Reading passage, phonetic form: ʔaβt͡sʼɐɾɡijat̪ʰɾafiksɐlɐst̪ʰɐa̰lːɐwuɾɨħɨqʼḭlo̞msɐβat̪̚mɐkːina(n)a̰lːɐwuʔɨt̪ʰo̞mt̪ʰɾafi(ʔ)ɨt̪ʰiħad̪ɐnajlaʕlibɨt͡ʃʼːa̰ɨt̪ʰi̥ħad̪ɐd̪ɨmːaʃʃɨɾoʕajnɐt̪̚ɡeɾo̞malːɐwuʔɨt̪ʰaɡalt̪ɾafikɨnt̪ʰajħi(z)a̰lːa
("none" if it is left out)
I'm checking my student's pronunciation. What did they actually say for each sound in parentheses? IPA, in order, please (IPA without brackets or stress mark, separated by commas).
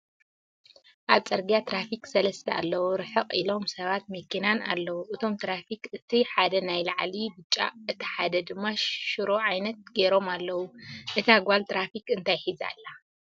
n, k, z